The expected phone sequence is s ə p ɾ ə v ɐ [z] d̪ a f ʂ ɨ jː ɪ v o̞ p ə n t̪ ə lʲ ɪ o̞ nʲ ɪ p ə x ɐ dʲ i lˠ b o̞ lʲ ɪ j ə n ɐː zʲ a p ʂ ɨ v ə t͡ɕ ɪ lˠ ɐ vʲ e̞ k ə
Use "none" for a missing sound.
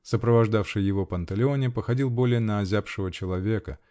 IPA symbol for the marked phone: ʐ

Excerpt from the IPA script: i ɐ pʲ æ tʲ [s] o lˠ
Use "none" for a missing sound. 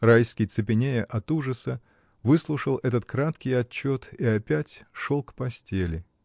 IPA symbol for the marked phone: ʂ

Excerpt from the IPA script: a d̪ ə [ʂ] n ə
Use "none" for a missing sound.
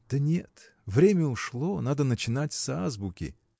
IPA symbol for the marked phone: none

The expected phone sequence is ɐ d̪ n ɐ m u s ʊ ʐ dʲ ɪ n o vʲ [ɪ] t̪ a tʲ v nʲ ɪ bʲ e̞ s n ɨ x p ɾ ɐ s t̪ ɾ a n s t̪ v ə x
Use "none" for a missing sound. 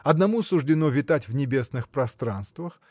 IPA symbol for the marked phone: ɪ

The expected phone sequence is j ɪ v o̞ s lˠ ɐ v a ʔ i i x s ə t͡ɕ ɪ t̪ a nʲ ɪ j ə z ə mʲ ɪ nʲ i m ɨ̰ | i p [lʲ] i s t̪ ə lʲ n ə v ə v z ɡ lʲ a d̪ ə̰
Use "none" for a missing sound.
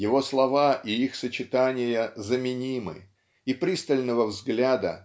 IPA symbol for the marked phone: ɾʲ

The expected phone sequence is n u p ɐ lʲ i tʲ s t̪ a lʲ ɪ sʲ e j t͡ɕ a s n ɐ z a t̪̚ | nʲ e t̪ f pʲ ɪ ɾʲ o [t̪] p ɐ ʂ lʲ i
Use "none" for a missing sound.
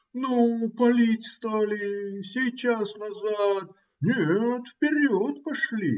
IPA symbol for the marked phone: t̪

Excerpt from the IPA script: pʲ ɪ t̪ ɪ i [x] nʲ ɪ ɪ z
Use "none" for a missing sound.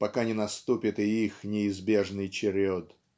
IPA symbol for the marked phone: x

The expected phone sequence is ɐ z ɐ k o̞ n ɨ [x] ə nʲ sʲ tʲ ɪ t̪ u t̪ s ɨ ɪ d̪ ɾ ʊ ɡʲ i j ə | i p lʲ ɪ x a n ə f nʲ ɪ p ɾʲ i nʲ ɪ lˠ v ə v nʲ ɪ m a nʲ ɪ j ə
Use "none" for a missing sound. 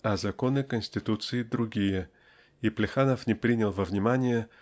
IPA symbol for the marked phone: k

